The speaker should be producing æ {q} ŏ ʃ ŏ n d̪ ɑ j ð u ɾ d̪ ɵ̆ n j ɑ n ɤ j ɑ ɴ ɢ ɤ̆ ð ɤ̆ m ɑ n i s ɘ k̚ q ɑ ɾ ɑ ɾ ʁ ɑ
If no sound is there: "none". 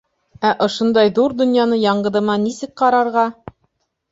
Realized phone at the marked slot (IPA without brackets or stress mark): ʔ